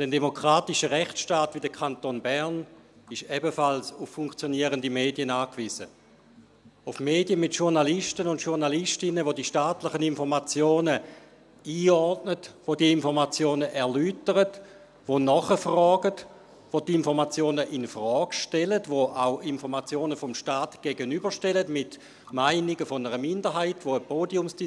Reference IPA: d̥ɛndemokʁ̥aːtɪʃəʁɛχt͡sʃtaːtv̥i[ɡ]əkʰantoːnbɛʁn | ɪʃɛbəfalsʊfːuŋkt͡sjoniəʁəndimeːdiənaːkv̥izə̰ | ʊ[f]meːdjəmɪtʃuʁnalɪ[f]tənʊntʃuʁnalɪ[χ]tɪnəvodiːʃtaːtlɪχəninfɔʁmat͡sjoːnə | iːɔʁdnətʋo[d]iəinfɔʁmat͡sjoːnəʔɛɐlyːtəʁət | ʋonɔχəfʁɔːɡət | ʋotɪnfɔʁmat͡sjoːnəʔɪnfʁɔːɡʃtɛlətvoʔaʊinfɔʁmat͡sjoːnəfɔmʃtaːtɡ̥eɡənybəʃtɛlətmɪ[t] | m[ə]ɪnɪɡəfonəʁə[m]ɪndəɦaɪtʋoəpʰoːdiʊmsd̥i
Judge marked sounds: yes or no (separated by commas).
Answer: no, yes, no, no, yes, yes, no, yes